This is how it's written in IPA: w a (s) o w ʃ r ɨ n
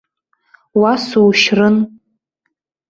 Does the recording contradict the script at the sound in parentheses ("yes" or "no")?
no